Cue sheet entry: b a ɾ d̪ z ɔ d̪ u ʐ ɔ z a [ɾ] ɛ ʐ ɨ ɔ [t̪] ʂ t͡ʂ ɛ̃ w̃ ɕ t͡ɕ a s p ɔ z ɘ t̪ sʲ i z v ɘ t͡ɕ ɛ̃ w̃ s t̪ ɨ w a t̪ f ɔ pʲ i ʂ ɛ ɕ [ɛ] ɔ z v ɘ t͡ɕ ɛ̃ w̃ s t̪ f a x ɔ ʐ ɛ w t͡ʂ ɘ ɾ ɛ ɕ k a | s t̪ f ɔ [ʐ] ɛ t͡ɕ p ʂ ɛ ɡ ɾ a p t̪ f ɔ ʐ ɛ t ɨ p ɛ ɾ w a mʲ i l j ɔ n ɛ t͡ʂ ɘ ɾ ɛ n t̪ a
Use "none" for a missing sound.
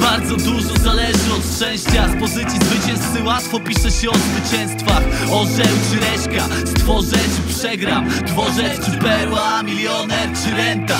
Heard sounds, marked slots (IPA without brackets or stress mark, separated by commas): l, t̪, ɛ, ʐ